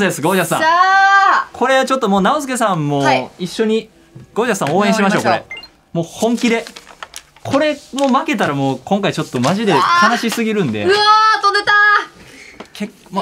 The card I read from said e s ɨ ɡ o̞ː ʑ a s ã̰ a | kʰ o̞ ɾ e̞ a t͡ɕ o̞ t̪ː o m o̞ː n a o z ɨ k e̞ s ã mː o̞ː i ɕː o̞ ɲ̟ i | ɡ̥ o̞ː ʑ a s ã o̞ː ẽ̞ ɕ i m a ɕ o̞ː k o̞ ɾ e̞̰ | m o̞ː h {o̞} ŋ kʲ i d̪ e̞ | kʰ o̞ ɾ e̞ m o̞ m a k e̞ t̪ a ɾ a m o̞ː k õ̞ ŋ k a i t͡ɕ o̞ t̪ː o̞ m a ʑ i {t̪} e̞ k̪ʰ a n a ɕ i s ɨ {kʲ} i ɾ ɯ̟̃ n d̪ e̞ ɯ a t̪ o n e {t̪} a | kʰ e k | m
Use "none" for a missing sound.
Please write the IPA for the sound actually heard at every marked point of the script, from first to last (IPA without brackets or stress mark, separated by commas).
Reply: õ̞, d̪, ɡʲ, t̪